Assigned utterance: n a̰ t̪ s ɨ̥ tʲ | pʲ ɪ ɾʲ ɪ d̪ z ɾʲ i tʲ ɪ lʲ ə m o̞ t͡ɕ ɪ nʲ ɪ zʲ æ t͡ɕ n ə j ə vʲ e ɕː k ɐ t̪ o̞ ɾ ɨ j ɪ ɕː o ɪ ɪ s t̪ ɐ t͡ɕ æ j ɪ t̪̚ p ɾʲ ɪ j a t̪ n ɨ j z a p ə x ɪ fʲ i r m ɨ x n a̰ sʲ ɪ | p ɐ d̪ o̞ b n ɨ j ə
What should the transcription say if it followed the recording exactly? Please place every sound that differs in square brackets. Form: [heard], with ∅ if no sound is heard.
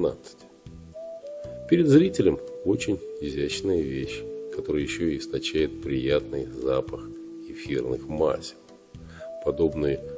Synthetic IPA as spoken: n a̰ t̪ s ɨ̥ tʲ | pʲ ɪ ɾʲ ɪ d̪ z ɾʲ i tʲ ɪ lʲ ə m o̞ t͡ɕ ɪ nʲ ɪ zʲ æ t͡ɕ n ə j ə vʲ e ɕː k ɐ t̪ o̞ ɾ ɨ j ɪ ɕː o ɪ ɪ s t̪ ɐ t͡ɕ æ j ɪ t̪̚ p ɾʲ ɪ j a t̪ n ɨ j z a p ə x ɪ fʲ i r [n] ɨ x [m] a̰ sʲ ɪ | p ɐ d̪ o̞ b n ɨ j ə